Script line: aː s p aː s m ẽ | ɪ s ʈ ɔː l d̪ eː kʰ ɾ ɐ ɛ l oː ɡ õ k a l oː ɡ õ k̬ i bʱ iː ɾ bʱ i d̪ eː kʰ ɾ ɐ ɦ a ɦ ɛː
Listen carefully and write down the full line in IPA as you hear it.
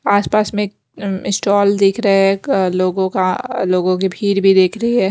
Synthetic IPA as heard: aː s p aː s m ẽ | ɪ s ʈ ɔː l d̪ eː kʰ ɾ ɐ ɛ l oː ɡ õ k a l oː ɡ õ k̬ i bʱ iː ɾ bʱ i d̪ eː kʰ ɾ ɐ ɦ i ɦ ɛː